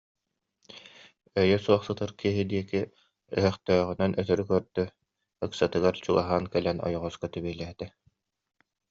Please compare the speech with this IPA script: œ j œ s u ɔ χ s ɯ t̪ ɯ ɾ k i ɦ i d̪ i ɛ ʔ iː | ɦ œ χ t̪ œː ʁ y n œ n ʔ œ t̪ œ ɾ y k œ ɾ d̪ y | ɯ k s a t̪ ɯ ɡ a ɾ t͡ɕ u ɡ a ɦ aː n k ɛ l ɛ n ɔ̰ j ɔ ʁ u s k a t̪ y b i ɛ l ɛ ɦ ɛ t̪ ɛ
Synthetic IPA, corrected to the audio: œ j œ s u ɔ χ s ɯ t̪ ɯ ɾ k i ɦ i d̪ i ɛ k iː | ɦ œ χ t̪ œː ʁ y n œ n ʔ œ t̪ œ ɾ y k œ ɾ d̪ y | ɯ k s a t̪ ɯ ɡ a ɾ t͡ɕ u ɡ a ɦ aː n k ɛ l ɛ n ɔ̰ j ɔ ʁ ɔ s k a t̪ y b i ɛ l ɛ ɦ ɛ t̪ ɛ